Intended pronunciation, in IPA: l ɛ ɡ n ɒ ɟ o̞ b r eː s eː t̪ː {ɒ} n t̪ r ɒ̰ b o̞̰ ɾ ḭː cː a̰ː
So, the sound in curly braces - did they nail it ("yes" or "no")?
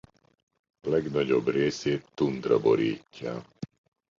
no